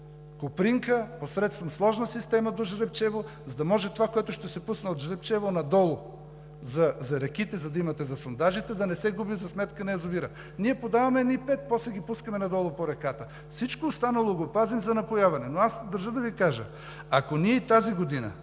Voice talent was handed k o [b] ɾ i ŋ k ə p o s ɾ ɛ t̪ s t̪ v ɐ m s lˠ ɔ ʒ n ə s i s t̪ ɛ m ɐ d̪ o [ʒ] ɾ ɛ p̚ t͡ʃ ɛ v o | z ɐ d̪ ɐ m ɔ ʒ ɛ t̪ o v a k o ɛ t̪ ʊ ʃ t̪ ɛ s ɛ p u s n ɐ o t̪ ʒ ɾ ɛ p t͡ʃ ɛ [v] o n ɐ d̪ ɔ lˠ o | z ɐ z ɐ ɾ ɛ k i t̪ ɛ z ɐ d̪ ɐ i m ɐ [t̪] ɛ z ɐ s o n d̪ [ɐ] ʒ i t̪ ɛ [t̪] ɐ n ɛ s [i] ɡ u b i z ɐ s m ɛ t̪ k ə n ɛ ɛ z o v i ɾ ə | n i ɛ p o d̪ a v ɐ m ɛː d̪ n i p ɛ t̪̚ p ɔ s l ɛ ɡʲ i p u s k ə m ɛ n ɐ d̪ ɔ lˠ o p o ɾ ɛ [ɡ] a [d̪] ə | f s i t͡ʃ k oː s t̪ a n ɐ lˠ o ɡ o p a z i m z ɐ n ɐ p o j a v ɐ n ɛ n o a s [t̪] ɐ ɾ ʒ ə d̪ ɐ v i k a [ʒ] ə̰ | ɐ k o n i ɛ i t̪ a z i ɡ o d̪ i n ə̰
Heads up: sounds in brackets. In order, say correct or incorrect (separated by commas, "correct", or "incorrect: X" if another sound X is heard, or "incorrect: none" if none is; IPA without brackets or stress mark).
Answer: incorrect: p, correct, correct, correct, incorrect: a, incorrect: d̪, incorrect: ɛ, incorrect: k, incorrect: t̪, incorrect: d̪, correct